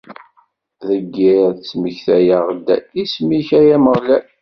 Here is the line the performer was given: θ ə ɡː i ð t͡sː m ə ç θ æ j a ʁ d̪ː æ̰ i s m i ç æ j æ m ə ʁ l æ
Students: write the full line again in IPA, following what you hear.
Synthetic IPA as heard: ð ə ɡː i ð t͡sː m ə ç θ æ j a ʁ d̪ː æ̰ i s m i ç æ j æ m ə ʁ l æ